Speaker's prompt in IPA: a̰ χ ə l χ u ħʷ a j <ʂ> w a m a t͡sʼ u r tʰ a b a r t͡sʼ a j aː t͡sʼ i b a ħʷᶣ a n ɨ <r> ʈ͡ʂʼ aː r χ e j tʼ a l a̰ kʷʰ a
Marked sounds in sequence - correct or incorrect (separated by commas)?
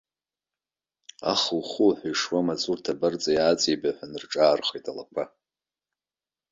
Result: correct, correct